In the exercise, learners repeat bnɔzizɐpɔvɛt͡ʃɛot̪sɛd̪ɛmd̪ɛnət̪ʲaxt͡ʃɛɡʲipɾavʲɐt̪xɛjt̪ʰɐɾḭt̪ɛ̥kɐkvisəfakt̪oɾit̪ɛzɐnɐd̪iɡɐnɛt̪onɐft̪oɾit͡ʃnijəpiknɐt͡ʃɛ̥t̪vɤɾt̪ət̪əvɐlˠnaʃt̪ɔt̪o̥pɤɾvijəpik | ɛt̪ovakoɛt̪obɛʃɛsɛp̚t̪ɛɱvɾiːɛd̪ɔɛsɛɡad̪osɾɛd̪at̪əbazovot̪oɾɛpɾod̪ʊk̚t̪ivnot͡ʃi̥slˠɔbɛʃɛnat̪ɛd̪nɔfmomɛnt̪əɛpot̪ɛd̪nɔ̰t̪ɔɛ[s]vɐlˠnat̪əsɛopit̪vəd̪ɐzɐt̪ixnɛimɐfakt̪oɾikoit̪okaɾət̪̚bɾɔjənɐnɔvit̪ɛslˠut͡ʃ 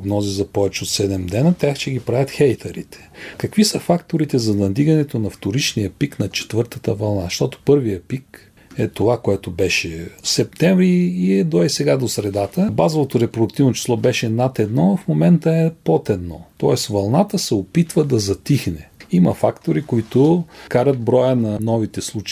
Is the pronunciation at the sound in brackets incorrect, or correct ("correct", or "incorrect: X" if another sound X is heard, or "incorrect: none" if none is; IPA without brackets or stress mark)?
correct